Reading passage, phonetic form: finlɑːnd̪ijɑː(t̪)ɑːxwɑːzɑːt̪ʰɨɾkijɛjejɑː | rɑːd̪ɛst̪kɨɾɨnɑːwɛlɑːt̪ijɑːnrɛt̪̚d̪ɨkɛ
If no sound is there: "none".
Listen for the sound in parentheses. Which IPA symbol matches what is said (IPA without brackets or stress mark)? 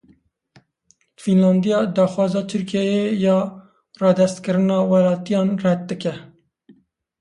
d̪